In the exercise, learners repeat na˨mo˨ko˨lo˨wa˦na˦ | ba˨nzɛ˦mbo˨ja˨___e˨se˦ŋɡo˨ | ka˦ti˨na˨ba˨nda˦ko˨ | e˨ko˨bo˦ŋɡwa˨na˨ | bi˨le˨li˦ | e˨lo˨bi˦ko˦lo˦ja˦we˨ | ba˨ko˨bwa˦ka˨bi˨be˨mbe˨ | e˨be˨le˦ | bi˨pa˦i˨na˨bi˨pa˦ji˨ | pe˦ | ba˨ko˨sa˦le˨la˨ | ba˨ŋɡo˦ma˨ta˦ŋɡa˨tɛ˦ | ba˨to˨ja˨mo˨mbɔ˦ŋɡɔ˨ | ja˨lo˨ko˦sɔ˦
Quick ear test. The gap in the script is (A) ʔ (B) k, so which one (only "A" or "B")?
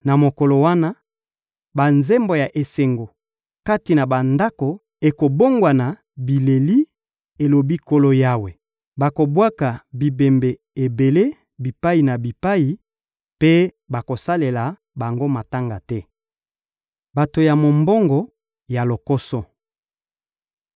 A